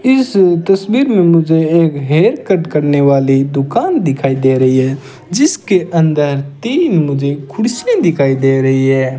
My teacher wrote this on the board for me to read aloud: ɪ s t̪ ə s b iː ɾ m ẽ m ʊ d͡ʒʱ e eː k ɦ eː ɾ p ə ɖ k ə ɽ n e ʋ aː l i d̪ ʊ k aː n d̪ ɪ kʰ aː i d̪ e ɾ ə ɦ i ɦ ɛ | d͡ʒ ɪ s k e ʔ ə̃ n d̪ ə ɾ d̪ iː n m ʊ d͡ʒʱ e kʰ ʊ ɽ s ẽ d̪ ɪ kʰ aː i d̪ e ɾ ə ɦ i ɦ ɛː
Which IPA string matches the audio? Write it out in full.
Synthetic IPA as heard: ɪ s t̪ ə s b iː ɾ m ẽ m ʊ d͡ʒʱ e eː k ɦ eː ɾ k ə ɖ k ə ɾ n e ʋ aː l i d̪ ʊ k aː n d̪ ɪ kʰ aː i d̪ e ɾ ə ɦ i ɦ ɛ | d͡ʒ ɪ s k e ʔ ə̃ n d̪ ə ɾ t̪ iː n m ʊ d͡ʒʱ e kʰ ʊ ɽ s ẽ d̪ ɪ kʰ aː i d̪ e ɾ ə ɦ i ɦ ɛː